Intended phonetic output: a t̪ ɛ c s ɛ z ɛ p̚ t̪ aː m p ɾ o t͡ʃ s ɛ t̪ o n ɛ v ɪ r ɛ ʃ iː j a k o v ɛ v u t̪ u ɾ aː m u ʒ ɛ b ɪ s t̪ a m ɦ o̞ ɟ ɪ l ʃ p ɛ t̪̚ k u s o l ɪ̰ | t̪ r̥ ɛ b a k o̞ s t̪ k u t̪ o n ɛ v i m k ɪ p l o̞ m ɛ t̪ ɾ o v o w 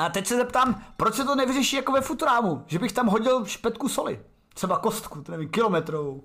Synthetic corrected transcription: a t̪ ɛ c s ɛ z ɛ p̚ t̪ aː m p ɾ o t͡ʃ s ɛ t̪ o n ɛ v ɪ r ɛ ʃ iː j a k o v ɛ f u t̪ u ɾ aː m u ʒ ɛ b ɪ x t̪ a m ɦ o̞ ɟ ɪ l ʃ p ɛ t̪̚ k u s o l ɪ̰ | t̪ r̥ ɛ b a k o̞ s t̪ k u t̪ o n ɛ v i m k ɪ l o̞ m ɛ t̪ ɾ o v o w